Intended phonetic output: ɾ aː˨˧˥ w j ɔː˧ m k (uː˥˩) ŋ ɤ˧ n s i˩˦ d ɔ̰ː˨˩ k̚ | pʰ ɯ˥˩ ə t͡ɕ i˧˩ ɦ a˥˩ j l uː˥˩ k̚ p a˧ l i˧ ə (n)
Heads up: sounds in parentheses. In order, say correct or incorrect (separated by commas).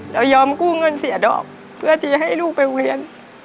correct, correct